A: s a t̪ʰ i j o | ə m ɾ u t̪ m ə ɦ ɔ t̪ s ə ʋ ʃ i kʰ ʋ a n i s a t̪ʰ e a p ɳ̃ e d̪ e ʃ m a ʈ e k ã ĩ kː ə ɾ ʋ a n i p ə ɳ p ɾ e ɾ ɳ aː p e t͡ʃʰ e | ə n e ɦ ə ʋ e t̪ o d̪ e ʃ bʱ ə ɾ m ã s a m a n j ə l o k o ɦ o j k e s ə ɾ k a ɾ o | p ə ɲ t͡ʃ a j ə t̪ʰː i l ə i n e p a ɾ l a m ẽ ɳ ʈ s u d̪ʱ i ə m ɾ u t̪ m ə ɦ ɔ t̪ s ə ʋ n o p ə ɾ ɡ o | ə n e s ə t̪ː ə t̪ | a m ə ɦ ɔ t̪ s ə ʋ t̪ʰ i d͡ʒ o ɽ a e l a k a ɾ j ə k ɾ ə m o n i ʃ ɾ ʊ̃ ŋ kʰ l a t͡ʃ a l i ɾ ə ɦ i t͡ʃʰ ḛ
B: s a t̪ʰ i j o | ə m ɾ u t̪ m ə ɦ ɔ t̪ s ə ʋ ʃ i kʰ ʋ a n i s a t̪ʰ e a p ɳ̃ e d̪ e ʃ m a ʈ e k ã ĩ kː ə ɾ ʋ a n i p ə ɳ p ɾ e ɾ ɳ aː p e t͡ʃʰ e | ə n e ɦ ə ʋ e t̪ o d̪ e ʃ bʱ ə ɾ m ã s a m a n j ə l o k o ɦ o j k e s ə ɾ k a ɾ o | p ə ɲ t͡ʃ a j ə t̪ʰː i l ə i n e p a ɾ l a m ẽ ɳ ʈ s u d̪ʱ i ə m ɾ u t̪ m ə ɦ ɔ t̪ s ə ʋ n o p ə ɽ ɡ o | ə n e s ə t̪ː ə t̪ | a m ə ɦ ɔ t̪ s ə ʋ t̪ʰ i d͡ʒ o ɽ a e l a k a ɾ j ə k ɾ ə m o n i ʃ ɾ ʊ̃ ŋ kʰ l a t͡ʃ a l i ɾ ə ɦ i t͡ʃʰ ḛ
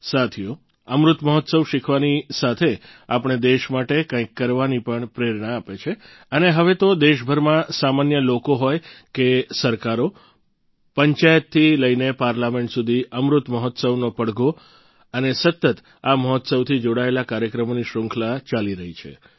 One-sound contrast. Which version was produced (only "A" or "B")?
B